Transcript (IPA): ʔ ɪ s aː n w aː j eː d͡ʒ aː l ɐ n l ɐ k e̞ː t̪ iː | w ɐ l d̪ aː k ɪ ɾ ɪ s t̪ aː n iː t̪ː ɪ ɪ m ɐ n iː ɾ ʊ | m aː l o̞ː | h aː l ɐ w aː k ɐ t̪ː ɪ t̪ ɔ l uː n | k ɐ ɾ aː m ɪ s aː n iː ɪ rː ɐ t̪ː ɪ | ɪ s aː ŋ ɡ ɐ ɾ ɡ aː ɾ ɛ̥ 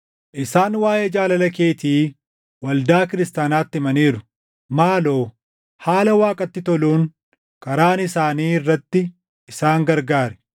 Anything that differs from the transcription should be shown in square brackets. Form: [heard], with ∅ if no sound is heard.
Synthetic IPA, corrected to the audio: ʔ ɪ s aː n w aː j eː d͡ʒ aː l ɐ [∅] l ɐ k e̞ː t̪ iː | w ɐ l d̪ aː k ɪ ɾ ɪ s t̪ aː n [aː] t̪ː ɪ ɪ m ɐ n iː ɾ ʊ | m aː l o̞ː | h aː l ɐ w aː [kʼ] ɐ t̪ː ɪ t̪ ɔ l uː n | k ɐ ɾ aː [n] ɪ s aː n iː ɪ rː ɐ t̪ː ɪ | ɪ s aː ŋ ɡ ɐ ɾ ɡ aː ɾ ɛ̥